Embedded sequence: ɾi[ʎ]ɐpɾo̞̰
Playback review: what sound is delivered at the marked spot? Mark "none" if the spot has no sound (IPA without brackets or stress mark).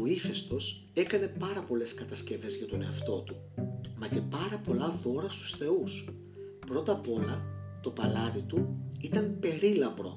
l